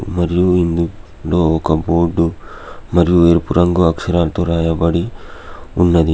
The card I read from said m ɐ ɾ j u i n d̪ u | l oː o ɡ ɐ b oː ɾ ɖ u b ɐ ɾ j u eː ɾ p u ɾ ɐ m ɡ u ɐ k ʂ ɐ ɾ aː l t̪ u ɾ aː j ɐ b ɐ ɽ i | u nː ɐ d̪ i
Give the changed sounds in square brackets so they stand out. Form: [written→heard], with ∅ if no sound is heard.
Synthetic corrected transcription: m ɐ ɾ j u i n d̪ u | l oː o [ɡ→k] ɐ b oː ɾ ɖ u [b→m] ɐ ɾ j u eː ɾ p u ɾ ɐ [m→ŋ] ɡ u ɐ k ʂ ɐ ɾ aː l t̪ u ɾ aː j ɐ b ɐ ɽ i | u nː ɐ d̪ i

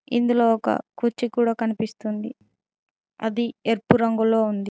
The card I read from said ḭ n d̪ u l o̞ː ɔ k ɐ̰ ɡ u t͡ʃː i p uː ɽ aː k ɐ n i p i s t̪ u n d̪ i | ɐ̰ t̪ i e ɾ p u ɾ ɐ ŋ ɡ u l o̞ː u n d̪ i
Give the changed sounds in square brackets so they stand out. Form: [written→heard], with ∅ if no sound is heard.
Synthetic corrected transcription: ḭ n d̪ u l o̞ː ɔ k ɐ̰ [ɡ→k] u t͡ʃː i [p→k] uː ɽ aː k ɐ n i p i s t̪ u n d̪ i | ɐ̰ [t̪→d̪] i e ɾ p u ɾ ɐ ŋ ɡ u l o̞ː u n d̪ i

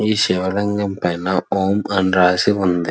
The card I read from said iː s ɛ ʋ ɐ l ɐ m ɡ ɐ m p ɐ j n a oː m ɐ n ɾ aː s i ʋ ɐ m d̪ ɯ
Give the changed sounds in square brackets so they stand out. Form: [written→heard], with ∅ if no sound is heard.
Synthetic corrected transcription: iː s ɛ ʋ ɐ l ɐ [m→ŋ] ɡ ɐ m p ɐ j n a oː m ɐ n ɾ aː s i ʋ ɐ [m→n] d̪ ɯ

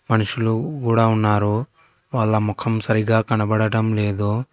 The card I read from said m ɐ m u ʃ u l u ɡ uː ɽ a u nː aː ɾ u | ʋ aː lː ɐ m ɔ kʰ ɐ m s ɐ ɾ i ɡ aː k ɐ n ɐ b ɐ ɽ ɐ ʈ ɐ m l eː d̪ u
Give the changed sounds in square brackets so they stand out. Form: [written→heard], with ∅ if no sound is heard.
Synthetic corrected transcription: m ɐ [m→n] u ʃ u l u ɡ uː ɽ a u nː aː ɾ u | ʋ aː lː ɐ m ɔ kʰ ɐ m s ɐ ɾ i ɡ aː k ɐ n ɐ b ɐ ɽ ɐ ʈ ɐ m l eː d̪ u

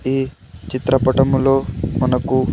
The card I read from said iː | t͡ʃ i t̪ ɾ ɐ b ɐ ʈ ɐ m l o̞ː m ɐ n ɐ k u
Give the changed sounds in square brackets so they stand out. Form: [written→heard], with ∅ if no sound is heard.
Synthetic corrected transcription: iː | t͡ʃ i t̪ ɾ ɐ [b→p] ɐ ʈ ɐ m l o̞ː m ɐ n ɐ k u

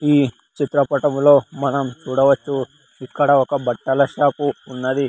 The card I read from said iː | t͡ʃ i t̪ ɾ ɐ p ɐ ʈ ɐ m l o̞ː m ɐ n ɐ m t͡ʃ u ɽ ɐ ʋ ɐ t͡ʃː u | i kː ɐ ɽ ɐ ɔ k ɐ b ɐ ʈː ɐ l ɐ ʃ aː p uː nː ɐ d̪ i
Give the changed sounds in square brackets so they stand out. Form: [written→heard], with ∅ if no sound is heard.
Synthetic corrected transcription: iː | t͡ʃ i t̪ ɾ ɐ p ɐ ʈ ɐ m l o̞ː m ɐ n ɐ m t͡ʃ [u→uː] ɽ ɐ ʋ ɐ t͡ʃː u | i kː ɐ ɽ ɐ ɔ k ɐ b ɐ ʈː ɐ l ɐ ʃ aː p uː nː ɐ d̪ i

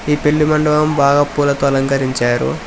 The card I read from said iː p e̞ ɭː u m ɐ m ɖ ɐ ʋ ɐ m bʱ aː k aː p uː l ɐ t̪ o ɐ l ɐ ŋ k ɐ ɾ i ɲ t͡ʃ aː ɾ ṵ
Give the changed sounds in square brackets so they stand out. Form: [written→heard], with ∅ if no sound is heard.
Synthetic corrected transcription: iː p e̞ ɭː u m ɐ [m→ɳ] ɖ ɐ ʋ ɐ m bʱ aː [k→ɡ] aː p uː l ɐ t̪ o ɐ l ɐ ŋ k ɐ ɾ i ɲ t͡ʃ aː ɾ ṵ

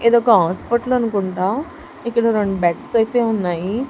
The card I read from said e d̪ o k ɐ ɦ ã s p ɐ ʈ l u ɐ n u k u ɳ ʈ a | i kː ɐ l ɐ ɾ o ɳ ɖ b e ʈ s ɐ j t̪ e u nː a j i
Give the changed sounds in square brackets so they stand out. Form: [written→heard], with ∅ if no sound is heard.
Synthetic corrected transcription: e d̪ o k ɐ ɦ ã s p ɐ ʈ l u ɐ n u k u ɳ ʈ a | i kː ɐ [l→ɽ] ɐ ɾ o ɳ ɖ b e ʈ s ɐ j t̪ e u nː a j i

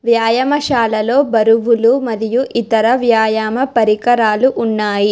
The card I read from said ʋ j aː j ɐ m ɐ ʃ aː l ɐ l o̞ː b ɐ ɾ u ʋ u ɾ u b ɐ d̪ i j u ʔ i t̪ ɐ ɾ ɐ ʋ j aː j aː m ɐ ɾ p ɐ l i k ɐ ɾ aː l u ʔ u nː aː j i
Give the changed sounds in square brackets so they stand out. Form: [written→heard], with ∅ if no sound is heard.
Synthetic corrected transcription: ʋ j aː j ɐ m ɐ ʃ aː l ɐ l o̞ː b ɐ ɾ u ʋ u [ɾ→l] u [b→m] ɐ d̪ i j u ʔ i t̪ ɐ ɾ ɐ ʋ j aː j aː m ɐ [ɾ→∅] p ɐ [l→ɾ] i k ɐ ɾ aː l u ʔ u nː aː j i

